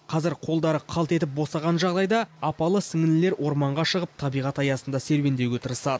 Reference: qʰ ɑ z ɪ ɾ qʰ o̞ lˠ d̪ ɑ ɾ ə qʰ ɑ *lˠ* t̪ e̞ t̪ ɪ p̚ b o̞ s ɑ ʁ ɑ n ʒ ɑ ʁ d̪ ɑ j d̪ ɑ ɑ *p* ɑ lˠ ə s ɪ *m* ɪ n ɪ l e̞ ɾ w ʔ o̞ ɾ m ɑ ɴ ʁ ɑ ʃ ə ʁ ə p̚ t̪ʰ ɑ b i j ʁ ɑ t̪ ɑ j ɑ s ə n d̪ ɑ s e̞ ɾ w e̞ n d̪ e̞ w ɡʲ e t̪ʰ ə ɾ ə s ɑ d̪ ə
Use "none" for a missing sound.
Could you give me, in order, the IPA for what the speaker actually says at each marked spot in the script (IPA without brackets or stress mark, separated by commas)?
lˠ, p, ŋ